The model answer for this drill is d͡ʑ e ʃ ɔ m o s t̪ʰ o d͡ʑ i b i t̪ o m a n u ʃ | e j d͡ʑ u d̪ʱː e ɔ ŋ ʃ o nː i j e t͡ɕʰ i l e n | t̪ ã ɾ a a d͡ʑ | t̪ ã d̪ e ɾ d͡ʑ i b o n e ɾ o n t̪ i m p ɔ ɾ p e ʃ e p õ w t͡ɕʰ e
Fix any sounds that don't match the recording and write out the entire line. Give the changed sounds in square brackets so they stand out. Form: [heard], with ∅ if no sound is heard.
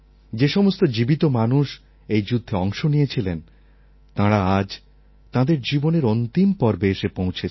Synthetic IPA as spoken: d͡ʑ e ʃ ɔ m o s [t̪] o d͡ʑ i b i t̪ o m a n u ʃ | e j d͡ʑ u d̪ʱː e ɔ ŋ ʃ o [n] i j e t͡ɕʰ i l e n | t̪ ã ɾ a a d͡ʑ | t̪ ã d̪ e ɾ d͡ʑ i b o n e ɾ o n t̪ i m p ɔ ɾ [b] e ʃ e p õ w t͡ɕʰ e

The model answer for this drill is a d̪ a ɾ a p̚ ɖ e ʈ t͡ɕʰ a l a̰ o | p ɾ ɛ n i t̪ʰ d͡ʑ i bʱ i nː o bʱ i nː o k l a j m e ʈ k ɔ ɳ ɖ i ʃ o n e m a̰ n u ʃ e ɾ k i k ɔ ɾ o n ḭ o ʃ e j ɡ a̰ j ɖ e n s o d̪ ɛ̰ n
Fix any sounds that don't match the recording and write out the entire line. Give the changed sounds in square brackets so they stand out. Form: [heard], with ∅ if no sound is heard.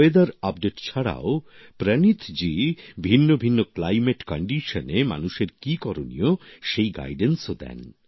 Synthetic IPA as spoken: [e] d̪ a ɾ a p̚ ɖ e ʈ t͡ɕʰ a [ɽ] a̰ o | p ɾ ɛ n i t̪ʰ d͡ʑ i bʱ i nː o bʱ i nː o k l a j m e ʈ k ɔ ɳ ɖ i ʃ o n e m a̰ n u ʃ e ɾ k i k ɔ ɾ o n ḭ o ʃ e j ɡ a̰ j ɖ e n s o d̪ ɛ̰ n

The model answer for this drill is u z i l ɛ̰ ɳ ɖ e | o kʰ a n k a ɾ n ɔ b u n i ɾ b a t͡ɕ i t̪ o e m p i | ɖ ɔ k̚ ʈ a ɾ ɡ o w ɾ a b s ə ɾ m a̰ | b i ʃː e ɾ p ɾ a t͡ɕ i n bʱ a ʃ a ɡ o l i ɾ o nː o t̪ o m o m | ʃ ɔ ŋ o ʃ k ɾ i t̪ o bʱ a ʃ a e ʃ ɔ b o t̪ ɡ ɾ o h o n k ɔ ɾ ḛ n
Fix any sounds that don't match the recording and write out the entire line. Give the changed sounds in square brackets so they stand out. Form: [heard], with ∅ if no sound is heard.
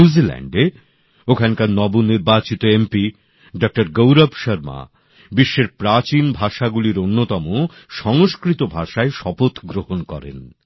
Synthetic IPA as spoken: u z i l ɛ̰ ɳ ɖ e | o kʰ a n k a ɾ n ɔ b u n i ɾ b a t͡ɕ i t̪ o e m p i | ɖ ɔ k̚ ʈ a ɾ ɡ o w ɾ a b [ʃ] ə ɾ m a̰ | b i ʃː e ɾ p ɾ a t͡ɕ i n bʱ a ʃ a ɡ [u] l i ɾ o nː o t̪ [ɔ] m o [∅] | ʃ ɔ ŋ o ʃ k ɾ i t̪ o bʱ a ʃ a e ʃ ɔ [p] o t̪ ɡ ɾ o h o n k ɔ ɾ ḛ n

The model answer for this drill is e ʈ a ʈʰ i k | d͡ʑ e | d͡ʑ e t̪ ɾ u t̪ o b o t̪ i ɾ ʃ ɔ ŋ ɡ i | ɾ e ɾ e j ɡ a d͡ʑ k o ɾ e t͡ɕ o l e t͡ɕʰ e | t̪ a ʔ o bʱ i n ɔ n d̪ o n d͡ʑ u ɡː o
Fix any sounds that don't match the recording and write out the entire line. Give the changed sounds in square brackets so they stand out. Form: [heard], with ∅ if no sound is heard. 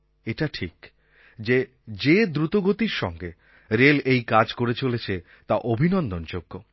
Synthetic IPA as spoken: e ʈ a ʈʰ i k | d͡ʑ e | d͡ʑ e [d̪] ɾ u t̪ o [ɡ] o t̪ i ɾ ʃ ɔ ŋ ɡ [e] | ɾ e [l] e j [k] a d͡ʑ k o ɾ e t͡ɕ o l e t͡ɕʰ e | t̪ a ʔ o bʱ i n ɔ n d̪ o n d͡ʑ [o] ɡː o

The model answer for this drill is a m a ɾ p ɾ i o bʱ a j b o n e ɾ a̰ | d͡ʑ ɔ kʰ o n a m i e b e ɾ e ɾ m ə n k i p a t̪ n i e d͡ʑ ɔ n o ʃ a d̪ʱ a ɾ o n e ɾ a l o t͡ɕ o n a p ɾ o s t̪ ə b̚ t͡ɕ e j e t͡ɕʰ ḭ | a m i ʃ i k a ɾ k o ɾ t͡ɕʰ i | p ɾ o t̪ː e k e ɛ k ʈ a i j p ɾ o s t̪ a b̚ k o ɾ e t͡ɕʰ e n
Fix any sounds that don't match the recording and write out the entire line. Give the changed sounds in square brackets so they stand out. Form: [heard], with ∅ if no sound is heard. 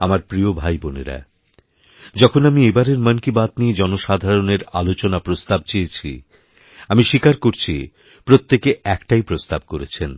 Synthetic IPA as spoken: a m a ɾ p ɾ i o bʱ a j b o n e ɾ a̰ | d͡ʑ ɔ kʰ o n a m i e b [a] ɾ e ɾ m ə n k i [b] a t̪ n i e d͡ʑ ɔ n o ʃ a d̪ʱ a ɾ o n e ɾ a l o t͡ɕ o n a p ɾ o s t̪ [a] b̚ t͡ɕ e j e t͡ɕʰ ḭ | a m i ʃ i k a ɾ k o ɾ t͡ɕʰ i | p ɾ o t̪ː e k e ɛ k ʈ a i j p ɾ o s t̪ a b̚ k o ɾ e t͡ɕʰ e n

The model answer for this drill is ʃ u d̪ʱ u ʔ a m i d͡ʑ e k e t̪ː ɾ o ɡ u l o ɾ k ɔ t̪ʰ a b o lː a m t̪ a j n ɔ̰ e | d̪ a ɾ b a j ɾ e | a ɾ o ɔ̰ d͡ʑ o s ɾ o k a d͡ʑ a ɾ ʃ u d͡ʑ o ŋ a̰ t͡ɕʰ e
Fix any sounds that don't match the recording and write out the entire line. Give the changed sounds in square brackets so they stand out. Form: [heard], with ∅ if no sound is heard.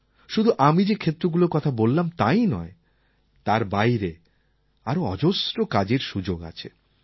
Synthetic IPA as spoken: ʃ u d̪ʱ u ʔ a m i d͡ʑ e [kʰ] e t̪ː ɾ o ɡ u l o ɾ k ɔ t̪ʰ a b o lː a m t̪ a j n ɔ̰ e | [t̪] a ɾ b a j ɾ e | a ɾ o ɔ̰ d͡ʑ o s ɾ o k a d͡ʑ [e] ɾ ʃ u d͡ʑ o [ɡ] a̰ t͡ɕʰ e

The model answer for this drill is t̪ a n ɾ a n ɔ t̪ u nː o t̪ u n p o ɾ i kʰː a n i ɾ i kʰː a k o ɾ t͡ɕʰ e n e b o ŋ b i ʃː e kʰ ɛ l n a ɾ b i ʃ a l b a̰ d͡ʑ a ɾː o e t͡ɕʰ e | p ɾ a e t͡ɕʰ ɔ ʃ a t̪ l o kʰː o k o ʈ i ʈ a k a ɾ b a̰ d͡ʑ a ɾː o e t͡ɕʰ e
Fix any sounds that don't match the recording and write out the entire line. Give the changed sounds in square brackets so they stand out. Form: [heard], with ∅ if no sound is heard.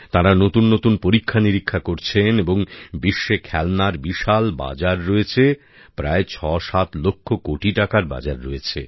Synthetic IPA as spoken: t̪ a [∅] ɾ a n [o] t̪ u nː o t̪ u n p o ɾ i kʰː a n i ɾ i kʰː a k o ɾ t͡ɕʰ e n e b o ŋ b i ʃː e kʰ ɛ l n a ɾ b i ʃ a l b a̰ d͡ʑ a ɾː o e t͡ɕʰ e | p ɾ a e t͡ɕʰ ɔ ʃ a t̪ l o kʰː o k o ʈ i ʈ a k a ɾ b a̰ d͡ʑ a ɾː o e t͡ɕʰ e

